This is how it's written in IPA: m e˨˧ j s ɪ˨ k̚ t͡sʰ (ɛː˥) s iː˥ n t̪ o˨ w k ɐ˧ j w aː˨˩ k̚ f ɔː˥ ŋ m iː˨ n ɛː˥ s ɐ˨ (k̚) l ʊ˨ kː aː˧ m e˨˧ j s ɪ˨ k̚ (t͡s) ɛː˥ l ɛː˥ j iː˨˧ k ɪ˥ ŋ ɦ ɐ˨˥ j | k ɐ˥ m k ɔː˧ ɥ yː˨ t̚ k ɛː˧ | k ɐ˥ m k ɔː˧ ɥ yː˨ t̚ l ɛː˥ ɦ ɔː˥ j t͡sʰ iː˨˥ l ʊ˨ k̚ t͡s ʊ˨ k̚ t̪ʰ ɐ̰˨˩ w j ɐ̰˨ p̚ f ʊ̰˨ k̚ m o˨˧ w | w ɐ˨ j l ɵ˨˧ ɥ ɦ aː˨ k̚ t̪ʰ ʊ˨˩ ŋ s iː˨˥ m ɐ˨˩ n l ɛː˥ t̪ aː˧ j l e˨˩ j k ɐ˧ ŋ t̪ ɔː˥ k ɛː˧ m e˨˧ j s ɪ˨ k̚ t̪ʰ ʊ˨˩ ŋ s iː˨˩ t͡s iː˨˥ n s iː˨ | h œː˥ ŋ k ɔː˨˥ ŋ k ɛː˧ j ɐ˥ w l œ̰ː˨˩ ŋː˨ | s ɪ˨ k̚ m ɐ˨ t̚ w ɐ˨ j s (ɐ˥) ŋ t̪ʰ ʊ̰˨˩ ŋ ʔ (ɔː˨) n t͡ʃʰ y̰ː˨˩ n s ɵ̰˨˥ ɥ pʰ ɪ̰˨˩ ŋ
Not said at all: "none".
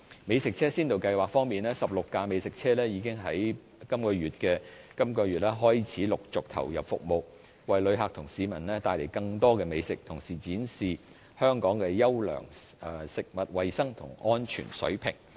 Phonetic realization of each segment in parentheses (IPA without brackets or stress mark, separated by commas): ɛː˥, p̚, t͡sʰ, ɐ˥, ɔː˥